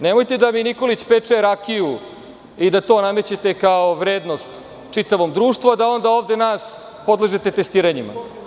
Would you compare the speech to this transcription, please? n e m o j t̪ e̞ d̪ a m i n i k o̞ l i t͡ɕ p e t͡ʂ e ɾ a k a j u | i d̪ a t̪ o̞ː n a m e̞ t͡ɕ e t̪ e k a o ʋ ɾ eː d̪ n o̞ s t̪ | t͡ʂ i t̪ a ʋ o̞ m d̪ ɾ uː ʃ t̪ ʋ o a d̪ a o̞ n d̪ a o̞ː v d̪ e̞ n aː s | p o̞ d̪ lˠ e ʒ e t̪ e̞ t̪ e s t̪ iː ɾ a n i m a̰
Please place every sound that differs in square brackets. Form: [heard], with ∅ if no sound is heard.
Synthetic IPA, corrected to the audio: n e m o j t̪ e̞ d̪ a m i n i k o̞ l i t͡ɕ p e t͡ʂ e ɾ a k [i] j u | i d̪ a t̪ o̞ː n a m e̞ t͡ɕ e t̪ e k a o ʋ ɾ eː d̪ n o̞ s t̪ | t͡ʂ i t̪ a ʋ o̞ m d̪ ɾ uː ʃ t̪ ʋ o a d̪ a o̞ n d̪ a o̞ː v d̪ e̞ n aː s | p o̞ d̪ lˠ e ʒ e t̪ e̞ t̪ e s t̪ iː ɾ a [ɲ] i m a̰